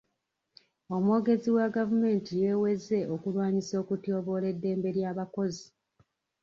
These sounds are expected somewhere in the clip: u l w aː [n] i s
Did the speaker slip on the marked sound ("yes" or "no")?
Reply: yes